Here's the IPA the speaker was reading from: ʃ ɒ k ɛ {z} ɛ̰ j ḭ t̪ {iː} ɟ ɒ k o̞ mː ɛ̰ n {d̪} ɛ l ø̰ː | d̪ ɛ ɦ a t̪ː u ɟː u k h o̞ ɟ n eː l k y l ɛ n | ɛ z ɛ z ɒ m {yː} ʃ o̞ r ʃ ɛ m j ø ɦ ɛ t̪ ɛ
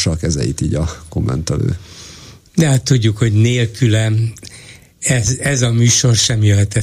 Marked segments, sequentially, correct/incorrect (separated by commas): correct, correct, incorrect, correct